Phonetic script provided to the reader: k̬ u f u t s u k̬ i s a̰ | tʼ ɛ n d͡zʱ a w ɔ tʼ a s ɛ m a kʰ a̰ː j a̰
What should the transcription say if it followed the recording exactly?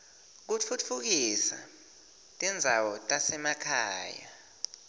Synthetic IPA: k̬ u f u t f u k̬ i s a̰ | tʼ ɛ n d͡zʱ a w ɔ tʼ a s ɛ m a kʰ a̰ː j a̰